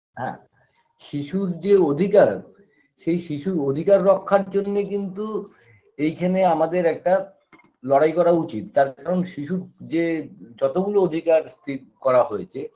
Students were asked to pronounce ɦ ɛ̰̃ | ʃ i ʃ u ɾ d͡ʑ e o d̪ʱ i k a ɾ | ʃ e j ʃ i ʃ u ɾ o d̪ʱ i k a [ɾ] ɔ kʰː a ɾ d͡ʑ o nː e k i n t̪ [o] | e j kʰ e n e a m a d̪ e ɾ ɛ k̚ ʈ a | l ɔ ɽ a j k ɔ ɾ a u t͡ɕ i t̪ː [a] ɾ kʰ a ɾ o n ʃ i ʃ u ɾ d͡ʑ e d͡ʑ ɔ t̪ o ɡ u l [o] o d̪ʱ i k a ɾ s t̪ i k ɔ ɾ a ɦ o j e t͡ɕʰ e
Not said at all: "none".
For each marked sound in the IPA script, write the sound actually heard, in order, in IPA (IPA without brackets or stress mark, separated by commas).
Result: ɾː, u, a, o